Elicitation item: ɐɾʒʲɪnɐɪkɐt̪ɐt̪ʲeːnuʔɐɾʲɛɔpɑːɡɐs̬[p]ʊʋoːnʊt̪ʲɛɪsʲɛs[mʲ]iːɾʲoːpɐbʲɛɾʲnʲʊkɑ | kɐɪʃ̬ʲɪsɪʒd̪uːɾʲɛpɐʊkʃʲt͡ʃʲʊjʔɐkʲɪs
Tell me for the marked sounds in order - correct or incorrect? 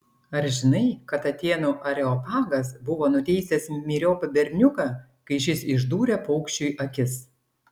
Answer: incorrect, correct

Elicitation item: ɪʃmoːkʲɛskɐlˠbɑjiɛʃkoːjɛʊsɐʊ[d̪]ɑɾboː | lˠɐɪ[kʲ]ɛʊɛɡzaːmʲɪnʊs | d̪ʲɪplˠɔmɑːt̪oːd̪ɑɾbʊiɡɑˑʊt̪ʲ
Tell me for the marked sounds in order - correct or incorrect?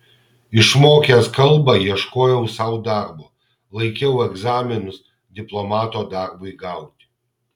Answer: correct, correct

